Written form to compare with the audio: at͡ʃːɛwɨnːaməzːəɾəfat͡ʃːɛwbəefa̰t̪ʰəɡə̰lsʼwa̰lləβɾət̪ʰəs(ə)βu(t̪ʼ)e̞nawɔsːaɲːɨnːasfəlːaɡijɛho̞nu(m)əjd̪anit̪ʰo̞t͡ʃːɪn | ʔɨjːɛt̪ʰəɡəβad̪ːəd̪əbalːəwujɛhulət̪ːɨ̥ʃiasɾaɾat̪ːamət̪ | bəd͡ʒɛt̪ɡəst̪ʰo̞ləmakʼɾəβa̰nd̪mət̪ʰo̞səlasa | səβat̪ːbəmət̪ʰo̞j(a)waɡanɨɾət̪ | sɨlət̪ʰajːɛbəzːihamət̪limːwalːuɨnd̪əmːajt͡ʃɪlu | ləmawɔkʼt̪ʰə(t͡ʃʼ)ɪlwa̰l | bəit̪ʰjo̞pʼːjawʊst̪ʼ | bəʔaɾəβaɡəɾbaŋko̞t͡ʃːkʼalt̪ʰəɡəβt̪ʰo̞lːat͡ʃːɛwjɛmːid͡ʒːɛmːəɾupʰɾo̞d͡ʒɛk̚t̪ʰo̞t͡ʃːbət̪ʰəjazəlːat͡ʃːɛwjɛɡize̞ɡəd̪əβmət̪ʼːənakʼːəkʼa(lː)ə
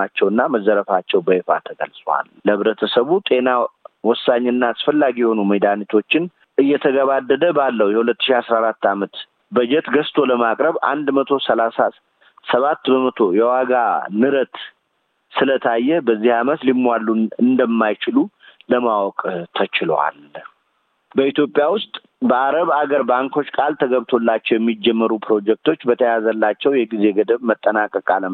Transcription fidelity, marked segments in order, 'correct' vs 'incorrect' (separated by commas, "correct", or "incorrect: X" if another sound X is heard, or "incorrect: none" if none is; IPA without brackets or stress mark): correct, correct, correct, incorrect: ɛ, incorrect: t͡ʃ, incorrect: l